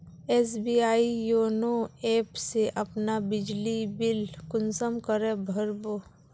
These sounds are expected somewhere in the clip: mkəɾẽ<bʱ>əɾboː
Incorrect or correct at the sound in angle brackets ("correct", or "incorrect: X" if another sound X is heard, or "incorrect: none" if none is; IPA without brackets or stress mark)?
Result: correct